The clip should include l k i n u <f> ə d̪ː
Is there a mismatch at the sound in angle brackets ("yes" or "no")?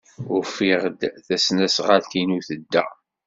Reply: yes